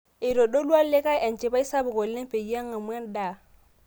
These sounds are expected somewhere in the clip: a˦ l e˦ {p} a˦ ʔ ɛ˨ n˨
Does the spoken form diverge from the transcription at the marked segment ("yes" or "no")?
yes